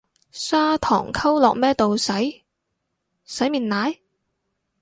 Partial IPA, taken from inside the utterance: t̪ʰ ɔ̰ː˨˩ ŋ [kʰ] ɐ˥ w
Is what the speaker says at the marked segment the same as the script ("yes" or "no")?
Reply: yes